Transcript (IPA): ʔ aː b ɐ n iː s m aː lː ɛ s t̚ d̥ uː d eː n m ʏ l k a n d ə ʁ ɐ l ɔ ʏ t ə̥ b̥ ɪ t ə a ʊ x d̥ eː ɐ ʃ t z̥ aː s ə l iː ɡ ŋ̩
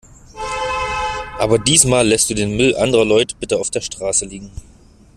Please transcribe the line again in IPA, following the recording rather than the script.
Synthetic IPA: ʔ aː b ɐ d iː s m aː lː ɛ s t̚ d̥ uː d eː n m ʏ l ʔ a n d ə ʁ ɐ l ɔ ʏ t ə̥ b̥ ɪ t ə a ʊ f d̥ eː ɐ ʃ t ʁ̥ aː s ə l iː ɡ ŋ̩

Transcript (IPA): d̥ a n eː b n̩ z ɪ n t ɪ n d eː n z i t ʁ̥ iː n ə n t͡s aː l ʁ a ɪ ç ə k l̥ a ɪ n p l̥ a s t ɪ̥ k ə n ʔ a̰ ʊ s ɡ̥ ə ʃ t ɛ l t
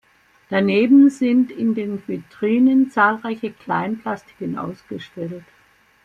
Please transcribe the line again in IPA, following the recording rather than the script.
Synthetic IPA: d̥ a n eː b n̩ z ɪ n t ɪ n d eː n v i t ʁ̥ iː n ə n t͡s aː l ʁ a ɪ ç ə k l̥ a ɪ n p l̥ a s t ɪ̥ k ə n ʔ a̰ ʊ s ɡ̥ ə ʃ t ɛ l t

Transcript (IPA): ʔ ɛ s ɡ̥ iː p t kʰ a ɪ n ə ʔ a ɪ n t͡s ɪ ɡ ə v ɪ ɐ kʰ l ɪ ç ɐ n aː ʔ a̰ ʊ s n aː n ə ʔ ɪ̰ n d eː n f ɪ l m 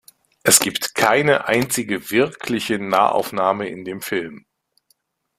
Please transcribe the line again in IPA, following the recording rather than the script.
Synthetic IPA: ʔ ɛ s ɡ̥ iː p t kʰ a ɪ n ə ʔ a ɪ n t͡s ɪ ɡ ə v ɪ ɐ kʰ l ɪ ç ə n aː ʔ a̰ ʊ f n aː m ə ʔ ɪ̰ n d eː m f ɪ l m

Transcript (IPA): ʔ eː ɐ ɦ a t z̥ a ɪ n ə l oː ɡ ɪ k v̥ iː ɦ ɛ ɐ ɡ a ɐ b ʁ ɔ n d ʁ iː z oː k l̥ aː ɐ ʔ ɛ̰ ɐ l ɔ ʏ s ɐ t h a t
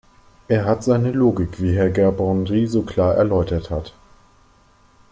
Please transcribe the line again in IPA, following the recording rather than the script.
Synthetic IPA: ʔ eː ɐ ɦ a t z̥ a ɪ n ə l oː ɡ ɪ k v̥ iː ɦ ɛ ɐ ɡ ɛ ɐ b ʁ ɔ n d ʁ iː z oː k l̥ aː ɐ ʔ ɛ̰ ɐ l ɔ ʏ t ɐ t h a t

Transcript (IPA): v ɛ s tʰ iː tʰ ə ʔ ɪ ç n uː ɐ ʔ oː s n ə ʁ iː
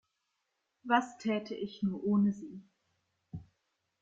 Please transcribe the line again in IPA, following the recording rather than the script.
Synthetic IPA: v a s tʰ ɛː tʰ ə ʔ ɪ ç n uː ɐ ʔ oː n ə z iː

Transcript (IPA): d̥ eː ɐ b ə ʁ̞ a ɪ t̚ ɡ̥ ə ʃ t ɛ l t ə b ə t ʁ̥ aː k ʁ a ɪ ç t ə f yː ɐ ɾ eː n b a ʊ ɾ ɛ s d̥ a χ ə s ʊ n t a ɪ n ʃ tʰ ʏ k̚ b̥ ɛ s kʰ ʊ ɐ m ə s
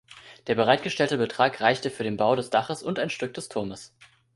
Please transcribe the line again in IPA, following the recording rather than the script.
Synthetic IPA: d̥ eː ɐ b ə ʁ̞ a ɪ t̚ ɡ̥ ə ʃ t ɛ l t ə b ə t ʁ̥ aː k ʁ a ɪ ç t ə f yː ɐ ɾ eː n b a ʊ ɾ ɛ s d̥ a χ ə s ʊ n t a ɪ n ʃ t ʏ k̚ d̥ ɛ s tʰ ʊ ɐ m ə s

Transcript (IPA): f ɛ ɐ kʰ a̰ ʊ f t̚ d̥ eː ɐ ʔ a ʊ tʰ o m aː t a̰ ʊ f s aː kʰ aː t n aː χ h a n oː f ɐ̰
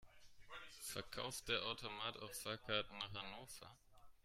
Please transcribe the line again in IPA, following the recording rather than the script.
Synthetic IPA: f ɛ ɐ kʰ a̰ ʊ f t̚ d̥ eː ɐ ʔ a ʊ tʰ o m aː t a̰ ʊ f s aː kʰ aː t n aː χ h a n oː f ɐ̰

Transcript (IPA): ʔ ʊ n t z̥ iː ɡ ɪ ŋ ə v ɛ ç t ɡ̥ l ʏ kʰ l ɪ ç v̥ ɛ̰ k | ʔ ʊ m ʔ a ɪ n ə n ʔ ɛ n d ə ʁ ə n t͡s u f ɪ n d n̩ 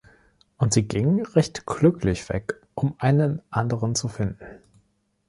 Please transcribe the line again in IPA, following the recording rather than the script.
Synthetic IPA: ʔ ʊ n t z̥ iː ɡ ɪ ŋ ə ʁ ɛ ç t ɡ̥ l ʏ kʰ l ɪ ç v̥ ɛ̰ k | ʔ ʊ m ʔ a ɪ n ə n ʔ a n d ə ʁ ə n t͡s u f ɪ n d n̩

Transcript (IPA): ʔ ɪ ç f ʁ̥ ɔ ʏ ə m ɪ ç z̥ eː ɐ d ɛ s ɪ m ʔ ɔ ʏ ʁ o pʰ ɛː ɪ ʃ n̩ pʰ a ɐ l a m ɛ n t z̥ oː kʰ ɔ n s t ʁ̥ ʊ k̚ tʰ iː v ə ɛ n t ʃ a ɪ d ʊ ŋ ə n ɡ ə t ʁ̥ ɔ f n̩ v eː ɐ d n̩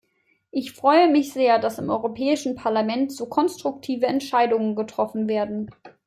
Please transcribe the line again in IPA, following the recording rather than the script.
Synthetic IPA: ʔ ɪ ç f ʁ̥ ɔ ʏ ə m ɪ ç z̥ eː ɐ d a s ɪ m ʔ ɔ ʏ ʁ o pʰ ɛː ɪ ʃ n̩ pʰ a ɐ l a m ɛ n t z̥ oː kʰ ɔ n s t ʁ̥ ʊ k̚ tʰ iː v ə ɛ n t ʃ a ɪ d ʊ ŋ ə n ɡ ə t ʁ̥ ɔ f n̩ v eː ɐ d n̩

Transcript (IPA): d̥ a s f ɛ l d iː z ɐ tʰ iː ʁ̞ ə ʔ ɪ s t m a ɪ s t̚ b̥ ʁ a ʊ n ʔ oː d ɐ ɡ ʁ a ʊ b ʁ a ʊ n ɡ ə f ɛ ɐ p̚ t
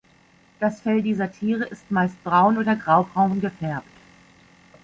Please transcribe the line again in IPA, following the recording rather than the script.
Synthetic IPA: d̥ a s f ɛ l d iː z ɐ tʰ iː ʁ̞ ə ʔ ɪ s t m a ɪ s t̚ b̥ ʁ a ʊ n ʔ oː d ɐ ɡ ʁ a ʊ b ʁ a ʊ n ɡ ə f ɛ ɐ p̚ t

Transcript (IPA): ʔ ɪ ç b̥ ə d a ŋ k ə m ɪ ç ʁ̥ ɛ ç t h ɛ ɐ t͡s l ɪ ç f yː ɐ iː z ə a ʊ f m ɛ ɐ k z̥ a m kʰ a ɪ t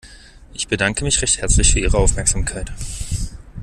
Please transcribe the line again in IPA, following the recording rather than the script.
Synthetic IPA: ʔ ɪ ç b̥ ə d a ŋ k ə m ɪ ç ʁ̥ ɛ ç t h ɛ ɐ t͡s l ɪ ç f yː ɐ iː ʁ ə a ʊ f m ɛ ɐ k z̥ a m kʰ a ɪ t

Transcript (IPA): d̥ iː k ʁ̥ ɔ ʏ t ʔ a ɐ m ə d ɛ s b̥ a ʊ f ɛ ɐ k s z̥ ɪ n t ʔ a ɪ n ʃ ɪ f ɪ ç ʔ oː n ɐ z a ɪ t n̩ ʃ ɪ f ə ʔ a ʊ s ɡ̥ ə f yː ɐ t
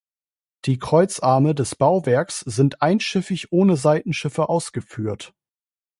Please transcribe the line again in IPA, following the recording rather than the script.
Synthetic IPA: d̥ iː k ʁ̥ ɔ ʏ t͡s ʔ a ɐ m ə d ɛ s b̥ a ʊ v ɛ ɐ k s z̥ ɪ n t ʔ a ɪ n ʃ ɪ f ɪ ç ʔ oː n ə z a ɪ t n̩ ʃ ɪ f ə ʔ a ʊ s ɡ̥ ə f yː ɐ t

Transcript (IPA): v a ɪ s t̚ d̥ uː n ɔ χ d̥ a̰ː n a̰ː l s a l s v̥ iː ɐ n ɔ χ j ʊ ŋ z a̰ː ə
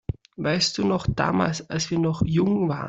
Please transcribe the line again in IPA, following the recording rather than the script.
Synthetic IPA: v a ɪ s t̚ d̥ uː n ɔ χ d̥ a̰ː m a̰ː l s a l s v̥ iː ɐ n ɔ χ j ʊ ŋ v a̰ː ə

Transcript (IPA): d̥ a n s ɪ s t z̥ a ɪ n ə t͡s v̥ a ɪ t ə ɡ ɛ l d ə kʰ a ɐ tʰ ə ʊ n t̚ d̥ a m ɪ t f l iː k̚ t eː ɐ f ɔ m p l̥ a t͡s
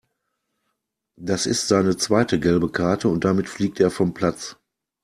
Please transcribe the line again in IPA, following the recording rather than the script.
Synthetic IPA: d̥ a s ɪ s t z̥ a ɪ n ə t͡s v̥ a ɪ t ə ɡ ɛ l b ə kʰ a ɐ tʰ ə ʊ n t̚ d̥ a m ɪ t f l iː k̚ t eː ɐ f ɔ m p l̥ a t͡s

